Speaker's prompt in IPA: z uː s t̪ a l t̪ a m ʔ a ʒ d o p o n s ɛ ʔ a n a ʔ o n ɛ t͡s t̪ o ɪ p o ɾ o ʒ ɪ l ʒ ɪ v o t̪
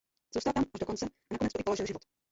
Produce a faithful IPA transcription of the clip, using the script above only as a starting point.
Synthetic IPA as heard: z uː s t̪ a l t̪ a m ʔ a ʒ d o k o n t͡s ɛ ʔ a n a k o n ɛ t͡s t̪ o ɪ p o l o ʒ ɪ l ʒ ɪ v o t̪